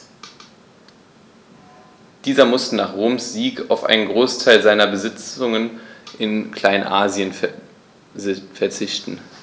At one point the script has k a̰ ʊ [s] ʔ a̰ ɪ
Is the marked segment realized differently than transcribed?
yes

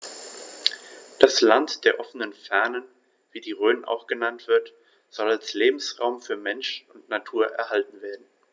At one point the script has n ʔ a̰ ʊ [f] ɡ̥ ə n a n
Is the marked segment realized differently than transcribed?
yes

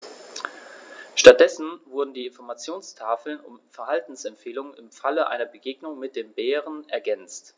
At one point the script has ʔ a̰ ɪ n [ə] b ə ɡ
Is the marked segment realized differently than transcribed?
yes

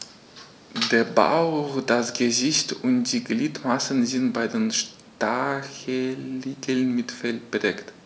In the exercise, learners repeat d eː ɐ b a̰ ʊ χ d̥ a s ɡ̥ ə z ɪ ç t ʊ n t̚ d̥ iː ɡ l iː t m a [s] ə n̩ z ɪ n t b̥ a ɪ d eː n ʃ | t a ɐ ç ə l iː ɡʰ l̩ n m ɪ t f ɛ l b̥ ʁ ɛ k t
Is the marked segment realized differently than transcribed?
no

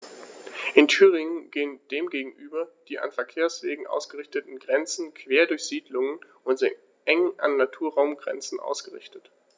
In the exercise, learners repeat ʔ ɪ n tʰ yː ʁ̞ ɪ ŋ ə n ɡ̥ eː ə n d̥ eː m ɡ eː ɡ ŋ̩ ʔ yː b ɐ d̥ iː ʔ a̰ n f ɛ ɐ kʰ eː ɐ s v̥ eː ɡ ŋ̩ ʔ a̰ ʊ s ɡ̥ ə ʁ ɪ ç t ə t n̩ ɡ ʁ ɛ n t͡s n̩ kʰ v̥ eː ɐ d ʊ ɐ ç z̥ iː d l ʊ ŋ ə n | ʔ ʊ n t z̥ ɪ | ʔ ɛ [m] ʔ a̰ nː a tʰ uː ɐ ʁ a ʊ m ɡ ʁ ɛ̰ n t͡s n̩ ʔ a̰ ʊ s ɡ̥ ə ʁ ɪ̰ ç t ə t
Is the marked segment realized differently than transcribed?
yes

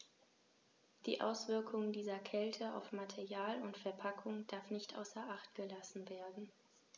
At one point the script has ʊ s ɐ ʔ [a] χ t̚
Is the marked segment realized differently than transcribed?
no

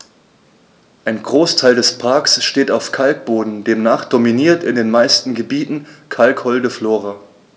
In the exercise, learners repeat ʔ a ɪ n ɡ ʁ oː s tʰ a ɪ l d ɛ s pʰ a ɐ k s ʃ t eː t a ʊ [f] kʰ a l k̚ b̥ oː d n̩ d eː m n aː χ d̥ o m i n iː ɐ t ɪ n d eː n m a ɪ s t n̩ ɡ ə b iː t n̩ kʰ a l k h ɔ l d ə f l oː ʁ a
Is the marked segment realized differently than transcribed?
no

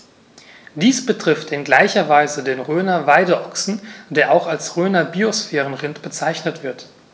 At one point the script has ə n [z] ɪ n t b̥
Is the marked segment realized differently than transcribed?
yes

